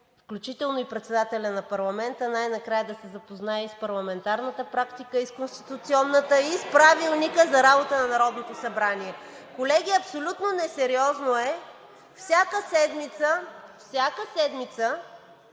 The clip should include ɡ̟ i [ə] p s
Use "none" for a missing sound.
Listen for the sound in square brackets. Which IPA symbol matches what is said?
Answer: ɐ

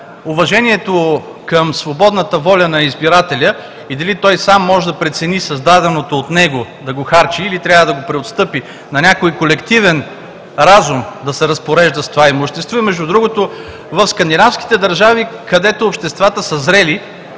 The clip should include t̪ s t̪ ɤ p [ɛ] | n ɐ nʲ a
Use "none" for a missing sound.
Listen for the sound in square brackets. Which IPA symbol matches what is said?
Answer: i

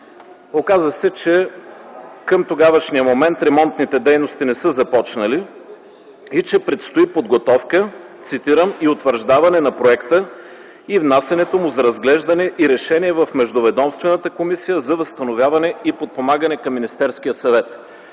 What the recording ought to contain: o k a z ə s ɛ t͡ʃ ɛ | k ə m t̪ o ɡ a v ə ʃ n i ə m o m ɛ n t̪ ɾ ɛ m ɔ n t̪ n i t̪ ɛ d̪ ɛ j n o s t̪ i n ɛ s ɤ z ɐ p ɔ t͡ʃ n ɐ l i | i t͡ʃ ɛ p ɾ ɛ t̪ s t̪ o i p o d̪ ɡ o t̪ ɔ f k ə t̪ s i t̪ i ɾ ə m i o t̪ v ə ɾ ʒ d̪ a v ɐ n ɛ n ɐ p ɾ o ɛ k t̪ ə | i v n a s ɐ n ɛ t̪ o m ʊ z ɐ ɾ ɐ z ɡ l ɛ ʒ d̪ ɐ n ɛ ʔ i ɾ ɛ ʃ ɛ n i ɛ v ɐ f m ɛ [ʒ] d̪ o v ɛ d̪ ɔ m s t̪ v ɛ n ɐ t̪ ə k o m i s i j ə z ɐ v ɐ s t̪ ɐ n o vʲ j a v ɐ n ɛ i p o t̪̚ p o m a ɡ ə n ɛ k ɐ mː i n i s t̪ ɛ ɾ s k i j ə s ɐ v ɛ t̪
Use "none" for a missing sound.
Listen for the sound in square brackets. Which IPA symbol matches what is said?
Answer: ʒ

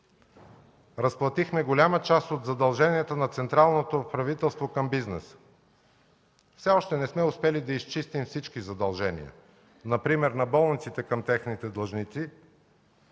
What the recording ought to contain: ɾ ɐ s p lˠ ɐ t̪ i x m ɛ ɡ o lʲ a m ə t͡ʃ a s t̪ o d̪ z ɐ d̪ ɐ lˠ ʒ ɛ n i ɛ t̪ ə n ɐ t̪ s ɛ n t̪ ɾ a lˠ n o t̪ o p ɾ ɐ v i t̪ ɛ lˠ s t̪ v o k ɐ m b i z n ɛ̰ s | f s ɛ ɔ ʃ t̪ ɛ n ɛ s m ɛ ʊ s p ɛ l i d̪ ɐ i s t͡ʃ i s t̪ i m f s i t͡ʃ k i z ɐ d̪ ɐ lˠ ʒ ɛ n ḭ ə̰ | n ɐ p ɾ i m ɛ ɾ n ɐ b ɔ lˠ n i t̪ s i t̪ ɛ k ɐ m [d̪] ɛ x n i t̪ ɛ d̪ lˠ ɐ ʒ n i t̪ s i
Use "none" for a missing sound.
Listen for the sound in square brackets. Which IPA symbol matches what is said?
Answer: t̪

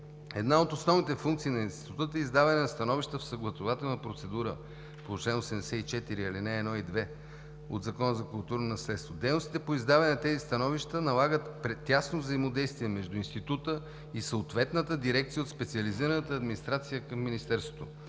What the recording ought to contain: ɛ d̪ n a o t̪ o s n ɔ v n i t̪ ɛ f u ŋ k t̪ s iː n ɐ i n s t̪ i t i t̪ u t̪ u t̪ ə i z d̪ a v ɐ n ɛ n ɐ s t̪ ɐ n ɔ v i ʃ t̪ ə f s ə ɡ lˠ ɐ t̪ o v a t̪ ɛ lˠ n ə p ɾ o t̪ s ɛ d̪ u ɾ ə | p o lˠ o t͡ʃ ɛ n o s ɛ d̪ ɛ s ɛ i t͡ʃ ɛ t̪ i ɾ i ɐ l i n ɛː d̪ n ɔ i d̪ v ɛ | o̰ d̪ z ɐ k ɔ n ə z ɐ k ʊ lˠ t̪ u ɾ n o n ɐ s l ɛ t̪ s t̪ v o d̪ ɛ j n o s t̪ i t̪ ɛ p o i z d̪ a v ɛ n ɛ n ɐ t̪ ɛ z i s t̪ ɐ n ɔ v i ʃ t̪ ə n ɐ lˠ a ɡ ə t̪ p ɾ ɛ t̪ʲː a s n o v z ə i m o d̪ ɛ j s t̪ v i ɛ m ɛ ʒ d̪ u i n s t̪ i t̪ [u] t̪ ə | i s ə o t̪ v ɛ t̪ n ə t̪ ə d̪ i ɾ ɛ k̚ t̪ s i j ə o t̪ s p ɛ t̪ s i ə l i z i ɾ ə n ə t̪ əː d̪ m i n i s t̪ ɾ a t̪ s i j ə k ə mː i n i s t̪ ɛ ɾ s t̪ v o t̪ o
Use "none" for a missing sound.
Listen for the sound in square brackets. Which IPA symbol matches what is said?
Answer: u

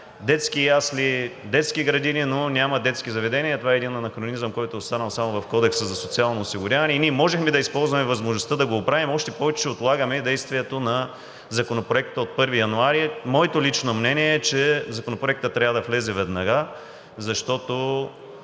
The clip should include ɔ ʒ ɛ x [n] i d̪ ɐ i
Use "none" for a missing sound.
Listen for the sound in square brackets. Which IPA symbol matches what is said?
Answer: m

